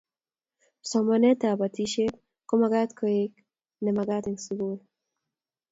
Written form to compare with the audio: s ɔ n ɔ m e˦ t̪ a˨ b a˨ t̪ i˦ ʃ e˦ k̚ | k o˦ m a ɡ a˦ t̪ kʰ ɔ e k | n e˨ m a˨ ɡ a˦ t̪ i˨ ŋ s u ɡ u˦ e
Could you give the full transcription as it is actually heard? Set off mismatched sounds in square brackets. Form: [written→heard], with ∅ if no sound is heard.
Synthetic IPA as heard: s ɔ [n→m] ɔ [m→n] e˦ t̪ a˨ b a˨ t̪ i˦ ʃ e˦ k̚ | k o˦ m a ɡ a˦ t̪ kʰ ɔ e k | n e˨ m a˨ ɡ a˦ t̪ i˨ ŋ s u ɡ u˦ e